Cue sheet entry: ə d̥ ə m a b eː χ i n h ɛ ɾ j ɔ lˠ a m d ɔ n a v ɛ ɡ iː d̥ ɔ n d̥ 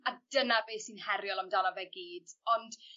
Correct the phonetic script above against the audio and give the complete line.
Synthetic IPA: a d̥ ə n a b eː s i n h ɛ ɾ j ɔ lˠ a m d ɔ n a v ɛ ɡ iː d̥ ɔ n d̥